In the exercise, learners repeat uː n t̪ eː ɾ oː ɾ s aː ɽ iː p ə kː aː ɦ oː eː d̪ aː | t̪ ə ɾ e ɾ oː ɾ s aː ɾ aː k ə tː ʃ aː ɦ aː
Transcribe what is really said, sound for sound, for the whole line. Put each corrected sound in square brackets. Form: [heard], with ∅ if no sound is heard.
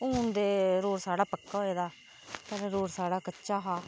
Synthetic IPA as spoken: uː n [d̪] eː ɾ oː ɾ s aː ɽ [aː] p ə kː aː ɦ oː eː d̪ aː | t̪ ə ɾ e ɾ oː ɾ s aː [ɽ] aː k ə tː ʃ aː ɦ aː